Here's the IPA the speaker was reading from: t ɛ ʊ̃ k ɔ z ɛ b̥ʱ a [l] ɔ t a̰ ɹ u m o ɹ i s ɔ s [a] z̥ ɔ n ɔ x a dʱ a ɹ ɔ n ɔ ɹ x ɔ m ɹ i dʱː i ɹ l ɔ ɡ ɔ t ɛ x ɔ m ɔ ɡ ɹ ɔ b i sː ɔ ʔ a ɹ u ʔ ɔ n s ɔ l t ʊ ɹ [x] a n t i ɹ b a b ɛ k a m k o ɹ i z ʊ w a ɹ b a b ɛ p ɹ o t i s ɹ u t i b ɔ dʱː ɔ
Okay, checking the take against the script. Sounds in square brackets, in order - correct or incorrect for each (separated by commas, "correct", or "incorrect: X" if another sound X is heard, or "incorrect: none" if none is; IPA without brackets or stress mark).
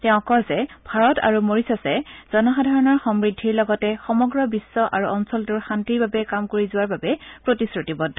incorrect: ɹ, incorrect: ɛ, correct